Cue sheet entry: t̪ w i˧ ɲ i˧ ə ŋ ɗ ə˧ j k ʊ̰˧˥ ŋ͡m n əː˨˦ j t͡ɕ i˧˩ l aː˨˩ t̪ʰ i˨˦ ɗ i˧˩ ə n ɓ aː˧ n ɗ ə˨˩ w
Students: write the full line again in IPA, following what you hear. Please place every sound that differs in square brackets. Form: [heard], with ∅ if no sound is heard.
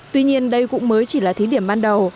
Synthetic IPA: t̪ w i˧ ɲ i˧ ə [n] ɗ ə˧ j k ʊ̰˧˥ ŋ͡m [m] əː˨˦ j t͡ɕ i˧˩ l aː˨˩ t̪ʰ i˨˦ ɗ i˧˩ ə [m] ɓ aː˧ n ɗ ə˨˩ w

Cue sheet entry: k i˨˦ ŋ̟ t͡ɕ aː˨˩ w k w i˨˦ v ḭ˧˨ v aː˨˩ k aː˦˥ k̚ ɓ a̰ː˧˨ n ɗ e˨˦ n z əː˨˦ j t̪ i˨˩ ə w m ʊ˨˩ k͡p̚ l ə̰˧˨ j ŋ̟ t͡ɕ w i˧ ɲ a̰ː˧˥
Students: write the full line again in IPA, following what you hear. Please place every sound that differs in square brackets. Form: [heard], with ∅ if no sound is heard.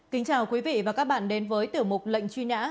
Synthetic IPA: k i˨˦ ŋ̟ t͡ɕ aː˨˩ w k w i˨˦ v ḭ˧˨ v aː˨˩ k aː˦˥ k̚ ɓ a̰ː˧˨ n ɗ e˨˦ n [v] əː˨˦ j t̪ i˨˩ ə w m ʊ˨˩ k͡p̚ l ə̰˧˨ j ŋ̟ t͡ɕ w i˧ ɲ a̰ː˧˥

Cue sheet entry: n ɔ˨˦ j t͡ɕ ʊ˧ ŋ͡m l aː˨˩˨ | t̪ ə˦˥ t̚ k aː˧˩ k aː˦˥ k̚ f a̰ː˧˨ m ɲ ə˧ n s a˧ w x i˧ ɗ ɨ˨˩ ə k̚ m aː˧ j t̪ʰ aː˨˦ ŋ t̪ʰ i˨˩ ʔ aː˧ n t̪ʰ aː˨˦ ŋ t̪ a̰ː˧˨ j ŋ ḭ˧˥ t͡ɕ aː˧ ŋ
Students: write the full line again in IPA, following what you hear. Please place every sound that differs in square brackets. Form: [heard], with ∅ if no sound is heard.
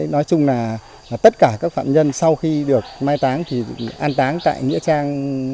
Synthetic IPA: n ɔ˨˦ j t͡ɕ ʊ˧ ŋ͡m l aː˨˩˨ | t̪ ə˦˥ t̚ k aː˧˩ k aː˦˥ k̚ f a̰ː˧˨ m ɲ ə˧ n s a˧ w x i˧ ɗ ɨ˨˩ ə k̚ m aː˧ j [t̪] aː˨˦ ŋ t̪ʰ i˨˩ ʔ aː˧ n [t̪] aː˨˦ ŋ t̪ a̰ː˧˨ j ŋ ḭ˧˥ t͡ɕ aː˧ ŋ

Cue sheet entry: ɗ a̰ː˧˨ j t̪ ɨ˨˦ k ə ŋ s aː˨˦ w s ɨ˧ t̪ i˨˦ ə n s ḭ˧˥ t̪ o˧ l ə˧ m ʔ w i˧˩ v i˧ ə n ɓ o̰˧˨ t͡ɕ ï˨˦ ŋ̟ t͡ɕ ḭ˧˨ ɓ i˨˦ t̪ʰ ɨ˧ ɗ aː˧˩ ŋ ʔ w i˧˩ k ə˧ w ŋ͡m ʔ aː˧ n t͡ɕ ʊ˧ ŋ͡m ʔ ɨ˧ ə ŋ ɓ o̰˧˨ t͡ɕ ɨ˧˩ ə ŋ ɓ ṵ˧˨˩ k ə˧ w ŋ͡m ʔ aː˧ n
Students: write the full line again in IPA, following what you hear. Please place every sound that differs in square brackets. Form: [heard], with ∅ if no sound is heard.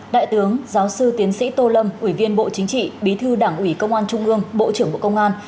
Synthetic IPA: ɗ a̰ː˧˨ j t̪ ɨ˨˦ [∅] ə ŋ [z] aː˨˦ w s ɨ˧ t̪ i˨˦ ə n s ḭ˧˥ t̪ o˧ l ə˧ m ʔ w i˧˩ v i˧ ə n ɓ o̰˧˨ t͡ɕ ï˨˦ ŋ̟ t͡ɕ ḭ˧˨ ɓ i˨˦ t̪ʰ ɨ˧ ɗ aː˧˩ ŋ ʔ w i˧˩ k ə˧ w ŋ͡m ʔ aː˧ n t͡ɕ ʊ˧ ŋ͡m ʔ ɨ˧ ə ŋ ɓ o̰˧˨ t͡ɕ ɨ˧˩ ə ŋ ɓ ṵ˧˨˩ k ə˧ w ŋ͡m ʔ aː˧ n

